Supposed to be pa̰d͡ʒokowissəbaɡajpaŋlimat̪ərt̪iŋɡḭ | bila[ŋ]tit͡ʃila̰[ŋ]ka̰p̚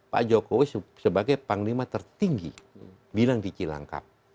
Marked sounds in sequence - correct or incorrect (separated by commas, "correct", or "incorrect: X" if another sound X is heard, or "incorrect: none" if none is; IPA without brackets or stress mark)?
correct, correct